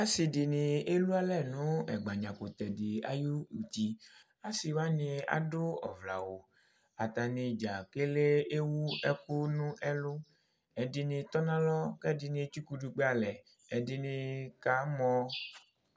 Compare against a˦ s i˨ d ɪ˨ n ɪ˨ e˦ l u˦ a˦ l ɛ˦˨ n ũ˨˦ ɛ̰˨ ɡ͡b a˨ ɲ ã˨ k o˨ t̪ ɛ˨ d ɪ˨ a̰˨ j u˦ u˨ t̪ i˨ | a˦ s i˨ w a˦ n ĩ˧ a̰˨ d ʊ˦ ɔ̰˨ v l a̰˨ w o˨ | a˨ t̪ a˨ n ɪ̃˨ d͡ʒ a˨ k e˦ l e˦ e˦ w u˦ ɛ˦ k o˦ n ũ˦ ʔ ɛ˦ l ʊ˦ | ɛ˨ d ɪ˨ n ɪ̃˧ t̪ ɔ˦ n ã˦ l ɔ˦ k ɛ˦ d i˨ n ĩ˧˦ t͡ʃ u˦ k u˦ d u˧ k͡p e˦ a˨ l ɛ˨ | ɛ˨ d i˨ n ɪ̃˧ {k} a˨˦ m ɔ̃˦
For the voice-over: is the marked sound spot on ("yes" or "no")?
yes